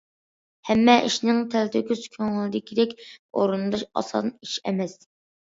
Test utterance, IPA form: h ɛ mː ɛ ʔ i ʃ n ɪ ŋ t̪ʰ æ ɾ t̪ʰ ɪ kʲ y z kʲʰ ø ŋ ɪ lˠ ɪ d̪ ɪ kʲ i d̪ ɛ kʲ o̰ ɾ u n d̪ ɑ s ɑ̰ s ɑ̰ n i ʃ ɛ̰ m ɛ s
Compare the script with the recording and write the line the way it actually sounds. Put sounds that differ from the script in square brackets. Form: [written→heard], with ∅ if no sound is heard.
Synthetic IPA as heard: h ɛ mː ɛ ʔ i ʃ n ɪ ŋ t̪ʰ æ [ɾ→l] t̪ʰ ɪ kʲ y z kʲʰ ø ŋ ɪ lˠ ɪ d̪ ɪ kʲ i d̪ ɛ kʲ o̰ ɾ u n d̪ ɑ [s→ʃ] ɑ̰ s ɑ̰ n i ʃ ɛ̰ m ɛ s

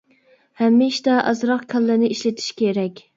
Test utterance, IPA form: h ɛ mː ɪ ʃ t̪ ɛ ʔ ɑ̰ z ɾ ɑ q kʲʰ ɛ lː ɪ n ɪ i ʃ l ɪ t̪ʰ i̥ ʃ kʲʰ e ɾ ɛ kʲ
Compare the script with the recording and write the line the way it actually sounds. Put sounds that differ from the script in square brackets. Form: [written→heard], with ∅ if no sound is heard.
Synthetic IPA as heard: h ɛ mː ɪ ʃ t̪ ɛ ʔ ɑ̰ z ɾ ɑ q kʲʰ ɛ lː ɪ n ɪ i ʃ l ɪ t̪ʰ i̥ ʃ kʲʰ e ɾ ɛ kʲ

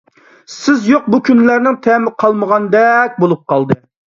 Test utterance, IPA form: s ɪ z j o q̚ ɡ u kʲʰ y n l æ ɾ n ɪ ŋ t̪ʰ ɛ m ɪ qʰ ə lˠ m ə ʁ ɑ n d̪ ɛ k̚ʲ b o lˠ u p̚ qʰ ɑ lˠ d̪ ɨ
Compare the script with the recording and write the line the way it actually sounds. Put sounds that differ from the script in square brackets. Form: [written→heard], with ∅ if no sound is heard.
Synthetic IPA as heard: s ɪ z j o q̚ [ɡ→b] u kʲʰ y n l æ ɾ n ɪ ŋ t̪ʰ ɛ m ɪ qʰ [ə→ɑ] lˠ m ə ʁ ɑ n d̪ ɛ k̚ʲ b o lˠ u p̚ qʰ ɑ lˠ d̪ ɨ

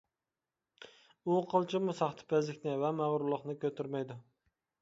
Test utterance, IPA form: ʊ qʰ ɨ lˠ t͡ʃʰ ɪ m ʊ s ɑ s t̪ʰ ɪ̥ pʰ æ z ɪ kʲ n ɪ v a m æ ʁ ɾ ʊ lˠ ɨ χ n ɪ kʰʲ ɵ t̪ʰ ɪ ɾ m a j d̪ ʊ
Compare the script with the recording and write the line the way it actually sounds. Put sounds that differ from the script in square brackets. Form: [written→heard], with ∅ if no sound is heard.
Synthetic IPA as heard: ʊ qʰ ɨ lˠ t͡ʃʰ ɪ m ʊ s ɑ [s→χ] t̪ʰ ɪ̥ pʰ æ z ɪ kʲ n ɪ v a m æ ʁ ɾ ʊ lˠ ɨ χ n ɪ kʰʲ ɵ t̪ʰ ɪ ɾ m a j d̪ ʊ

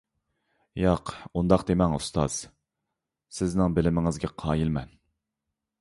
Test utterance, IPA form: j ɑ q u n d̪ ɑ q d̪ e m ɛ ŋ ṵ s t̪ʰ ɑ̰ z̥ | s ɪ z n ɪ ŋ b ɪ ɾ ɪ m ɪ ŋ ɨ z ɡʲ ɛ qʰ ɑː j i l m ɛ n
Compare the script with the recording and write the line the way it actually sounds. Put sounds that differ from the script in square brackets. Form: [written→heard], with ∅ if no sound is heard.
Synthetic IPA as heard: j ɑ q u n d̪ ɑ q d̪ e m ɛ ŋ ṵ s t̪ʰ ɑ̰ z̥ | s ɪ z n ɪ ŋ b ɪ [ɾ→l] ɪ m ɪ ŋ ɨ z ɡʲ ɛ qʰ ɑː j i l m ɛ n

